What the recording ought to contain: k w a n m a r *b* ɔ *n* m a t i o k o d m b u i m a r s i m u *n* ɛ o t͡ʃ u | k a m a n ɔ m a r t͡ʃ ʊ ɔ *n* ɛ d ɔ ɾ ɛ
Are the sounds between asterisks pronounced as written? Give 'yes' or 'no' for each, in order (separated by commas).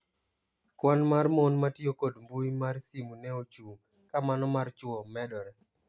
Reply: no, yes, yes, no